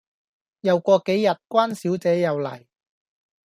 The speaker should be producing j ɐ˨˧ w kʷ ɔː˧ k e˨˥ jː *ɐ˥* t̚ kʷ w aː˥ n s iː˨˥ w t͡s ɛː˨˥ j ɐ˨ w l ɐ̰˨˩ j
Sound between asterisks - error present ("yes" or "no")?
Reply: yes